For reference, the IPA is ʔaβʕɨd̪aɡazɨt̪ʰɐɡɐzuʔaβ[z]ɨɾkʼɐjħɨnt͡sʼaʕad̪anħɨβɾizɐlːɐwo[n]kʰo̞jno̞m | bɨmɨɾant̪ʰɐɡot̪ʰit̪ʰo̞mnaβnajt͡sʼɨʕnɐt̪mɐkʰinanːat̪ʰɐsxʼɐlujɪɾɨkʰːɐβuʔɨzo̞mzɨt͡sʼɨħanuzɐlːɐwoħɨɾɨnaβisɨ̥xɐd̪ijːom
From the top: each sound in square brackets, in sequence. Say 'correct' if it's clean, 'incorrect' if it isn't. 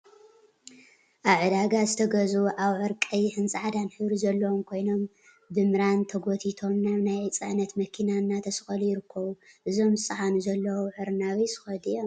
incorrect, incorrect

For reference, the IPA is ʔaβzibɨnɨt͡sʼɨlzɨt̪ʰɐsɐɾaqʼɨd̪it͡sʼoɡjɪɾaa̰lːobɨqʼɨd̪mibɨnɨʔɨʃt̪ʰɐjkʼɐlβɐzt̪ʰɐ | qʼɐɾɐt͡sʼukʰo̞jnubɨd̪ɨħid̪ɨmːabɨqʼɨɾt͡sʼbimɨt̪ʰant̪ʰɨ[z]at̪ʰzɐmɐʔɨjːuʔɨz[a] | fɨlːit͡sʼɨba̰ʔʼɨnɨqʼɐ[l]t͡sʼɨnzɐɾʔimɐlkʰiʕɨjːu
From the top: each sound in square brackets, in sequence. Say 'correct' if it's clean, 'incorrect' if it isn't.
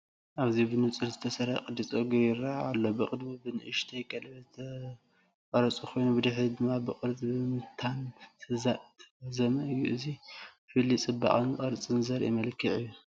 correct, incorrect, incorrect

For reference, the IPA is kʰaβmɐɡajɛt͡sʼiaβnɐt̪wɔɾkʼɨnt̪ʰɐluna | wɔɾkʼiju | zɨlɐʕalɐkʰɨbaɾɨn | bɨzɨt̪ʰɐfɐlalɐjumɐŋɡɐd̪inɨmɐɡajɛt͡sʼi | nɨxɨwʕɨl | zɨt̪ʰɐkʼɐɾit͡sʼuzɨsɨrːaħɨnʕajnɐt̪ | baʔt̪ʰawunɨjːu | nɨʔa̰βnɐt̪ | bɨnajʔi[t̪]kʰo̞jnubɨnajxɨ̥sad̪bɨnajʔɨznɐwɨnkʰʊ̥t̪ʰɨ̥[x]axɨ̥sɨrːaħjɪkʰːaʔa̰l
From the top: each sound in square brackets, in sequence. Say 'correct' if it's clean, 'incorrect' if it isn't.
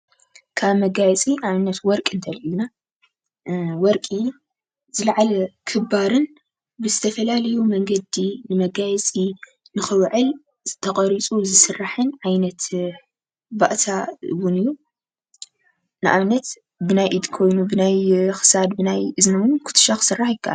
incorrect, incorrect

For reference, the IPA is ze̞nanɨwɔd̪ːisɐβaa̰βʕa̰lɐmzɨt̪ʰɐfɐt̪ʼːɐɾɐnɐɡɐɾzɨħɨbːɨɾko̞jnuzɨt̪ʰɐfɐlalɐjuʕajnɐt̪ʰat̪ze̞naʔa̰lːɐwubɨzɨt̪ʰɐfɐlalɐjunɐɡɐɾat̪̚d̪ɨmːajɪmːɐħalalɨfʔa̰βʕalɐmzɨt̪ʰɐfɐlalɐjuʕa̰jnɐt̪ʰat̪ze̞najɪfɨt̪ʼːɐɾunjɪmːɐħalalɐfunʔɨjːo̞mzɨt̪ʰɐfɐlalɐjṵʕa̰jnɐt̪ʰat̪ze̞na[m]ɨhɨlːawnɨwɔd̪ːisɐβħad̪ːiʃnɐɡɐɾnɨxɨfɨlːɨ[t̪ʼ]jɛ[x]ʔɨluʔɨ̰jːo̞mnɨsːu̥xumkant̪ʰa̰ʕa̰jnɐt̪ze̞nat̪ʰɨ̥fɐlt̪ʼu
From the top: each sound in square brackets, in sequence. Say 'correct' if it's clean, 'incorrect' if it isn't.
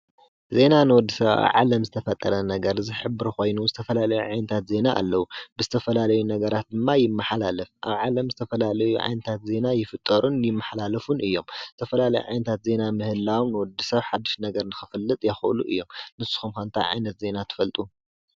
correct, correct, correct

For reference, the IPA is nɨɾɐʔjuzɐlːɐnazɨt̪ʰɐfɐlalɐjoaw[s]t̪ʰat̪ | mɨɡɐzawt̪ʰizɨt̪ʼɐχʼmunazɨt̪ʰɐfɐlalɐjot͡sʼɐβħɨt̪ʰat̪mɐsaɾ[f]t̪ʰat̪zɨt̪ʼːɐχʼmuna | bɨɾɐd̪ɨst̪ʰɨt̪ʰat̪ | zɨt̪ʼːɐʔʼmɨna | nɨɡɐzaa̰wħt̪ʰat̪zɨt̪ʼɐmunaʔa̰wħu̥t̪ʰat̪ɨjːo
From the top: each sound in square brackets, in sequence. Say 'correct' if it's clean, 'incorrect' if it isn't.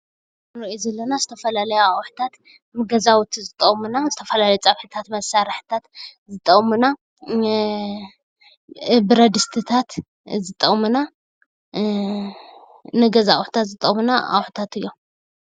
incorrect, incorrect

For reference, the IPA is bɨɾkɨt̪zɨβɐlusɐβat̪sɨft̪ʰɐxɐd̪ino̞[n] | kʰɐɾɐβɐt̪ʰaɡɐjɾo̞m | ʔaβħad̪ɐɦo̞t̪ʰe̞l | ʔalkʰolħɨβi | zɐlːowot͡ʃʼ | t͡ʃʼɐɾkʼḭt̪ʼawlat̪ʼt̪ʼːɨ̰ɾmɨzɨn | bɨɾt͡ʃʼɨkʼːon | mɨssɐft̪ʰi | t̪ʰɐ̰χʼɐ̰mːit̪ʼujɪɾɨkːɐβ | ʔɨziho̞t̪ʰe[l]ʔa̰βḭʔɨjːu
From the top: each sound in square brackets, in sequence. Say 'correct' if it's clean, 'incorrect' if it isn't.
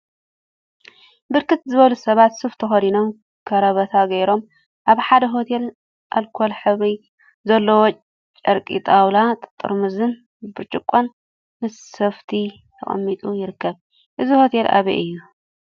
incorrect, correct

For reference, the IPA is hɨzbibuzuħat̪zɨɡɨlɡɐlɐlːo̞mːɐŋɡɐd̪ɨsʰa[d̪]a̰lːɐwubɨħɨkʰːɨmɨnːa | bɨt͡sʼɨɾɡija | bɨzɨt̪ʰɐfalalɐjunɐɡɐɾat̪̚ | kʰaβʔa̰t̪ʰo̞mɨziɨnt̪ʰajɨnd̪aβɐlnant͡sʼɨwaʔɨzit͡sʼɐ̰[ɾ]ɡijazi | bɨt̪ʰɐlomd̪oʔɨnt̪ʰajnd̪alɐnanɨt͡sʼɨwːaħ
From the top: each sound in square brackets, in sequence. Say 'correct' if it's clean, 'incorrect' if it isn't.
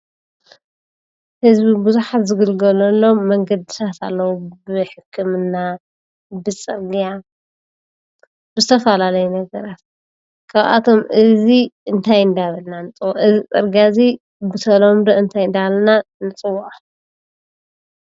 incorrect, correct

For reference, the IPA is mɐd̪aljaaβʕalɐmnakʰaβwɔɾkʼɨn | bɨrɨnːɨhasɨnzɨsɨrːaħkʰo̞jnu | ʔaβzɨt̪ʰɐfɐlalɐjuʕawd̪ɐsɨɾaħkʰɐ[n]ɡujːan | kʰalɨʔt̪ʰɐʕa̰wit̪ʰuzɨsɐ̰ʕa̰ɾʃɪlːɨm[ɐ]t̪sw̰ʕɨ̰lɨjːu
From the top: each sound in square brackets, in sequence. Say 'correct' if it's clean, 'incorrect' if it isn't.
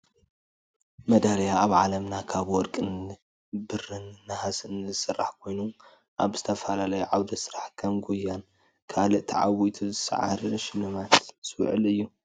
incorrect, incorrect

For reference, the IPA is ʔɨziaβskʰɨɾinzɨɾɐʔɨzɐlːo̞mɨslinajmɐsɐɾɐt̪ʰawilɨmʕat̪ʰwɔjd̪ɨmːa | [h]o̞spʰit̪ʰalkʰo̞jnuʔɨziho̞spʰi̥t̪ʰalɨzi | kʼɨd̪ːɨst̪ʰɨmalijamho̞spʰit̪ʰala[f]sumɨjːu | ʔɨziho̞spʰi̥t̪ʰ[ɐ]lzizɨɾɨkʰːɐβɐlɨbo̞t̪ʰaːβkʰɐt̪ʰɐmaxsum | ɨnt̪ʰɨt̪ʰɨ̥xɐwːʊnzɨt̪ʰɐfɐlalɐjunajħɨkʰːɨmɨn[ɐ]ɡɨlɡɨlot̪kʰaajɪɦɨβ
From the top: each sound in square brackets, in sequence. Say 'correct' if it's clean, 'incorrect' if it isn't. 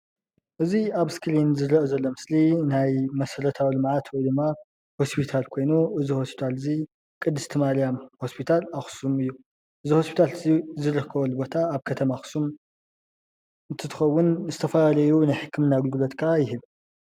correct, incorrect, incorrect, incorrect

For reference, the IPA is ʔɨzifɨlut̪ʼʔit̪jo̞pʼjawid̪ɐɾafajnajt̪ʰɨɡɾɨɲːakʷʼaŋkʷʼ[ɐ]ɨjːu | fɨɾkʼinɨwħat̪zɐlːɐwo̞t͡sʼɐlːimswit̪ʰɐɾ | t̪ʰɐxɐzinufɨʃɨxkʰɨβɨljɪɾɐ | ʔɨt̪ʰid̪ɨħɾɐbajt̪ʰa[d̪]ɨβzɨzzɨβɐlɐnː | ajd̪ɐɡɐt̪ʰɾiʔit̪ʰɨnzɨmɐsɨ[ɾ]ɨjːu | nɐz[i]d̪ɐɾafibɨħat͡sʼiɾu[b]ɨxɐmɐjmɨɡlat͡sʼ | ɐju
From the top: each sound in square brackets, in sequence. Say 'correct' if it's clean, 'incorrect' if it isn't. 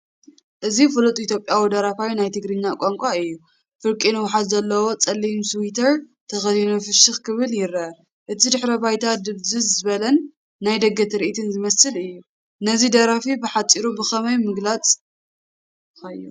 incorrect, correct, incorrect, correct, correct

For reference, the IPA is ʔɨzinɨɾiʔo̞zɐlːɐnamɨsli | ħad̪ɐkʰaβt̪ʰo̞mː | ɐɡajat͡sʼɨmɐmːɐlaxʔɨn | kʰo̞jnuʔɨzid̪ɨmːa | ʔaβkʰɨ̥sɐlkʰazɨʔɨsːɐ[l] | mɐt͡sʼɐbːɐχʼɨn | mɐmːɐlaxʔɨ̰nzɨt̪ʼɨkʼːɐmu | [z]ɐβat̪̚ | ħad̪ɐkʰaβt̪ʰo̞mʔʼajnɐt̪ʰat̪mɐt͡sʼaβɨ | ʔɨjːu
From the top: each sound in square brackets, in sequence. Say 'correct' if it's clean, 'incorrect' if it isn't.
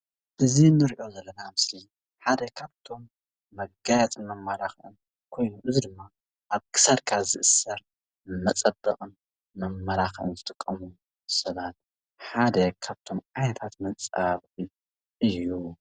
incorrect, incorrect

